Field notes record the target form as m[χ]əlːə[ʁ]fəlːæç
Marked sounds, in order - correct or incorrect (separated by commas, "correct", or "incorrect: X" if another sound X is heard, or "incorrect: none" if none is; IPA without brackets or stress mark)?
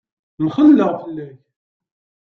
correct, correct